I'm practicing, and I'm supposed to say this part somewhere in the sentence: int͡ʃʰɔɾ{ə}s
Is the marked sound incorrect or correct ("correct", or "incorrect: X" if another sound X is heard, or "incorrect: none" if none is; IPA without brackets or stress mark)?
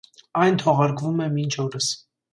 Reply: correct